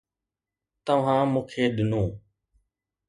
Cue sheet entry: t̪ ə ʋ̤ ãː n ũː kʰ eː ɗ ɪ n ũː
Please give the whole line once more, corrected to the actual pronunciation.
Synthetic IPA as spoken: t̪ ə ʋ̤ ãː m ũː kʰ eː ɗ ɪ n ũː